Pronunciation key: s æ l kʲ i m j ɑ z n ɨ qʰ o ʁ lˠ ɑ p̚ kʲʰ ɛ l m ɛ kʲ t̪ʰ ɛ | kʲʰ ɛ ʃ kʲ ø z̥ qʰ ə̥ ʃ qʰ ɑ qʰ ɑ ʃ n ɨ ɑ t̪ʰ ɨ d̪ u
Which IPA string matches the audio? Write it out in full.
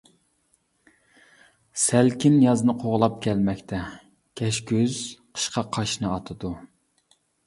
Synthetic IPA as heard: s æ l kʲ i n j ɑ z n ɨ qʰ o ʁ lˠ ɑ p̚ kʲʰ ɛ l m ɛ kʲ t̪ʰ ɛ | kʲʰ ɛ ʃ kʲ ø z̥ qʰ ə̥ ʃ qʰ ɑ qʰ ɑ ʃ n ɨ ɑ t̪ʰ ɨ d̪ u